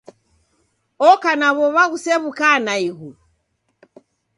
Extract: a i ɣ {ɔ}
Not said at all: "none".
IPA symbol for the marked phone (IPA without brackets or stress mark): u